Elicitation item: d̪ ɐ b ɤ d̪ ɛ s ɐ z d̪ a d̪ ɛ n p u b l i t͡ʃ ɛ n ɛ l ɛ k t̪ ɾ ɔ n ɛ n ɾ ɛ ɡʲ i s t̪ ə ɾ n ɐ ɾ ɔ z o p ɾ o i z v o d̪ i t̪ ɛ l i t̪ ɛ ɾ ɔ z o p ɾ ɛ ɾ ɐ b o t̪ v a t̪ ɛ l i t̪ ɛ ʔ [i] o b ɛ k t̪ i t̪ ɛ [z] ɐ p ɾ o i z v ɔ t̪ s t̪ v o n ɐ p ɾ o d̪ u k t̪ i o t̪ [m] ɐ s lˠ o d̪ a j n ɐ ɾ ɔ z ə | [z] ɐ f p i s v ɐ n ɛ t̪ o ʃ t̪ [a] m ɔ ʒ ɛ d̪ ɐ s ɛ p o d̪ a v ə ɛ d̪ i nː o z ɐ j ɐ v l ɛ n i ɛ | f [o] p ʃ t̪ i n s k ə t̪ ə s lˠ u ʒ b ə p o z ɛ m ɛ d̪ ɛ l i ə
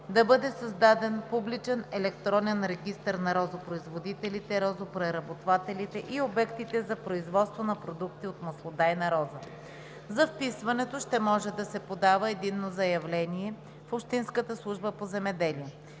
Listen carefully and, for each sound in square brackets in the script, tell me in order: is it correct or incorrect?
correct, correct, correct, correct, incorrect: ɛ, correct

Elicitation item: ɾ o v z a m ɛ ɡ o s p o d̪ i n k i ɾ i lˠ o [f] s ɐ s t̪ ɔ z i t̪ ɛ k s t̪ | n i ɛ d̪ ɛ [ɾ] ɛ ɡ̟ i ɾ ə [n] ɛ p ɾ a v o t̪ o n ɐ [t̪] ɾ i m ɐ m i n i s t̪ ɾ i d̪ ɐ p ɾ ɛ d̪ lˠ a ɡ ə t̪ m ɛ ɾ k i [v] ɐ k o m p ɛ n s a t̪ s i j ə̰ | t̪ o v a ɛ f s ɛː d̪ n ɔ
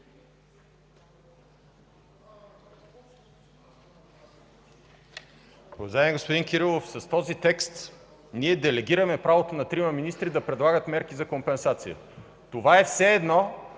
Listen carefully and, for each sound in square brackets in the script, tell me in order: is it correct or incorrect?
correct, incorrect: l, incorrect: m, correct, incorrect: z

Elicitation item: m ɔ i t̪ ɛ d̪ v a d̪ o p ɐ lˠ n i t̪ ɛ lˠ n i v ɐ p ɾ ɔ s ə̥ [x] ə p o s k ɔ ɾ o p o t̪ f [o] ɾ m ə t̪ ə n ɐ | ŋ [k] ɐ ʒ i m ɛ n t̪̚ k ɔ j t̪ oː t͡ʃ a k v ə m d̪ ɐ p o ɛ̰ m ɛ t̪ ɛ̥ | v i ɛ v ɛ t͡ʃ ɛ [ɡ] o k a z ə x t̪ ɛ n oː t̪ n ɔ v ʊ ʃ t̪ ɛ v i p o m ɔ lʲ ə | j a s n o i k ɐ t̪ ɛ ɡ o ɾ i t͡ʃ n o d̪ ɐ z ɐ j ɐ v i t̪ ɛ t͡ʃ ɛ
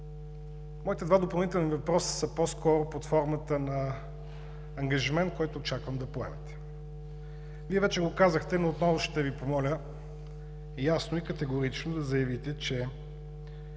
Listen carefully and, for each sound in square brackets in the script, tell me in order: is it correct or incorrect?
incorrect: s, incorrect: ɔ, incorrect: ɡ, correct

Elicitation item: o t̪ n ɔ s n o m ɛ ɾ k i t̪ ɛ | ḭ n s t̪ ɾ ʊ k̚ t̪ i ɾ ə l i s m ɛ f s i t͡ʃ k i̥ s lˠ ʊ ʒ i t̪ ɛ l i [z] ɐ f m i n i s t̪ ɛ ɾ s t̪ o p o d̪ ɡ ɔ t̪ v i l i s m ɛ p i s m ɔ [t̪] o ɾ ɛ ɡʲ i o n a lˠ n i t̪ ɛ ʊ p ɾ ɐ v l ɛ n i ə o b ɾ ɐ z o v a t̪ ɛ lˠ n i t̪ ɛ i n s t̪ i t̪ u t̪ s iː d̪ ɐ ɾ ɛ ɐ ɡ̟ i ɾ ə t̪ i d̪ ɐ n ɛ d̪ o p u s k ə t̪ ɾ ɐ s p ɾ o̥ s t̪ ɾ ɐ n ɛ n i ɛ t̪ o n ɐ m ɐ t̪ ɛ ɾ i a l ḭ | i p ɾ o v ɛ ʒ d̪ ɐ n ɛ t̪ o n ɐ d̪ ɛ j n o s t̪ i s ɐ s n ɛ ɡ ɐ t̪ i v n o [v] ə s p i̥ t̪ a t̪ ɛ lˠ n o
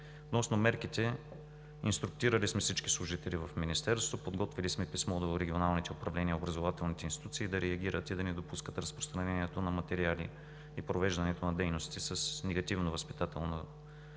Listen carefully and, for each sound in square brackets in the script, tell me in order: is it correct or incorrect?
incorrect: v, incorrect: d̪, correct

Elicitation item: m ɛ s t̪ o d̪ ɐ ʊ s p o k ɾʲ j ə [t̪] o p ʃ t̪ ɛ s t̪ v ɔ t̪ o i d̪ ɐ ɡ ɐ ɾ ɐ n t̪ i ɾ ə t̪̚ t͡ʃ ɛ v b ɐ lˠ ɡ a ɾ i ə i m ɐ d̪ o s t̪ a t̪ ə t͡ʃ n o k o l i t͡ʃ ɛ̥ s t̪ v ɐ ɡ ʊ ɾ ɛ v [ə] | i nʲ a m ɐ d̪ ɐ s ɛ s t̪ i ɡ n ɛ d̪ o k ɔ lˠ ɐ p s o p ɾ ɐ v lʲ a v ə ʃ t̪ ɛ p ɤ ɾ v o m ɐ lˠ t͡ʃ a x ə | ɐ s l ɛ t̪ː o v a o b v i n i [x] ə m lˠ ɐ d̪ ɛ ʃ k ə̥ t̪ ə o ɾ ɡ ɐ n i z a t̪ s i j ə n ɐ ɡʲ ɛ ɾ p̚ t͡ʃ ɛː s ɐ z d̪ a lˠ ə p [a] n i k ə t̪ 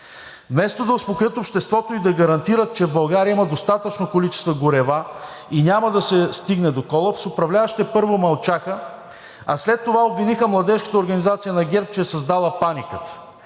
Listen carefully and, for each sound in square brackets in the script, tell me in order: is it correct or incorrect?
correct, incorrect: a, correct, correct

